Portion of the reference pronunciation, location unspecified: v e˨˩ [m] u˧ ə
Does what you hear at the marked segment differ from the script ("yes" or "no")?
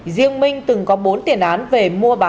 no